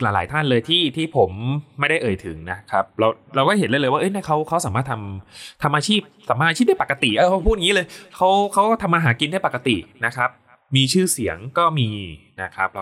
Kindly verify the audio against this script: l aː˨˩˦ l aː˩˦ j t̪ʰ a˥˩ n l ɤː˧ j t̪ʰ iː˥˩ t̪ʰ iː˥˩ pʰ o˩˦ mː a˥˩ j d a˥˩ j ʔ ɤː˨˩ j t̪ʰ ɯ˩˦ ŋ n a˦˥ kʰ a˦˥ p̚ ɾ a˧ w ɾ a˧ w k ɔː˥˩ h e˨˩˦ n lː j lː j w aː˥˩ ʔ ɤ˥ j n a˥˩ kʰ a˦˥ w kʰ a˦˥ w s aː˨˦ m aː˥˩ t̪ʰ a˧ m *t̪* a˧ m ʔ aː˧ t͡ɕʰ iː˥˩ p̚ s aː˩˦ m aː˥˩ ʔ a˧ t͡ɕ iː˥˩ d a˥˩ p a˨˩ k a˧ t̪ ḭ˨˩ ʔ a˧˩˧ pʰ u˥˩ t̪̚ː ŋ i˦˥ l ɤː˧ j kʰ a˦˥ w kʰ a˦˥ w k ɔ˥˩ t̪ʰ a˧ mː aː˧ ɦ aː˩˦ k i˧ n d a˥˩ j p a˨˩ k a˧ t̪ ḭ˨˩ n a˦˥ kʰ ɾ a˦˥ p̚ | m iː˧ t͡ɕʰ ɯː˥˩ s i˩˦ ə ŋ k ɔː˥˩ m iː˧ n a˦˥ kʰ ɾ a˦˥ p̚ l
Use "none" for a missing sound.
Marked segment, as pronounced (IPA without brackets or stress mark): t̪ʰ